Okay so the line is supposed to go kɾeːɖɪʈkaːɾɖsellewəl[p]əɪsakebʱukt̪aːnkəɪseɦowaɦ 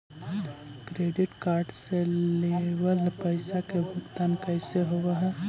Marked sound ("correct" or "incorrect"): correct